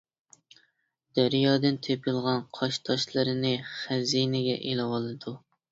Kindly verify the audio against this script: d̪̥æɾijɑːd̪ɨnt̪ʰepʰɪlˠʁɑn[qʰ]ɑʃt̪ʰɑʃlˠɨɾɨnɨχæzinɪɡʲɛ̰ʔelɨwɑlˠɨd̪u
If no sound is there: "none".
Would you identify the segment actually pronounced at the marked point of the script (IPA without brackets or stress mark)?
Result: qʰ